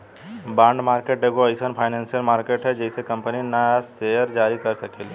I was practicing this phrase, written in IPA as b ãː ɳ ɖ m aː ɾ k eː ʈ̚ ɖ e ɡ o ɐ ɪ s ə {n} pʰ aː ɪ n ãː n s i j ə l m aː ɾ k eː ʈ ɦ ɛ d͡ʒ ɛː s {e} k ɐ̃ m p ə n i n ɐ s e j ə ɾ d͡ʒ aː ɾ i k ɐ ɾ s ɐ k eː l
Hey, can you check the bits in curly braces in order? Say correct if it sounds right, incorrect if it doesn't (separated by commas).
correct, correct